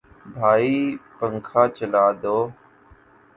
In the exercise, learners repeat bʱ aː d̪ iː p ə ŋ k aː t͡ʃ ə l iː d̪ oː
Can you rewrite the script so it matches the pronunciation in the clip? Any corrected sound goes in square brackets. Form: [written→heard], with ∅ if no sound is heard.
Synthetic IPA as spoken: bʱ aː [d̪→∅] iː p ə ŋ [k→kʰ] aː t͡ʃ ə l [iː→aː] d̪ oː